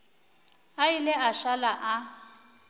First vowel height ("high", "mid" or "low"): low